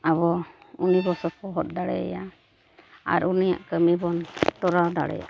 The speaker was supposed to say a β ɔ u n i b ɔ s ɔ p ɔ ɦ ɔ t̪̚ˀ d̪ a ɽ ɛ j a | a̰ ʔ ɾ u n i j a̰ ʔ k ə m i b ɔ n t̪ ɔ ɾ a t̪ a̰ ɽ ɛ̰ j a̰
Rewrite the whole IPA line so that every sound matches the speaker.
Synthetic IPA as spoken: a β ɔ u n i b ɔ s ɔ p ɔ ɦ ɔ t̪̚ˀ d̪ a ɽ ɛ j a | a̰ ɾ u n i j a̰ ʔ k ə m i b ɔ n t̪ ɔ ɾ a d̪ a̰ ɽ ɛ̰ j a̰